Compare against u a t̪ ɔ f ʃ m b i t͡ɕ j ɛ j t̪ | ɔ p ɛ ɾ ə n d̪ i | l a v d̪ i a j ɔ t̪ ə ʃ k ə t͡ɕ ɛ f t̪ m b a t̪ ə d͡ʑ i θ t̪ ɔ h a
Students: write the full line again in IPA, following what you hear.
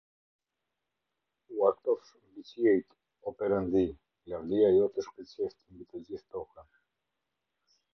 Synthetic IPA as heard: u a t̪ ɔ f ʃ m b i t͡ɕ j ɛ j t̪ | ɔ p ɛ ɾ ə n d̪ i | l a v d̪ i a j ɔ t̪ ə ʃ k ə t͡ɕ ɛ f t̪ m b i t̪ ə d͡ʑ i θ t̪ ɔ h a